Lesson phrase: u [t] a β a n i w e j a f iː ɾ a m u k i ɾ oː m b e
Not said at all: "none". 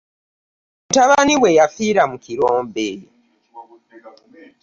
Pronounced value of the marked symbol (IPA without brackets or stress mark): t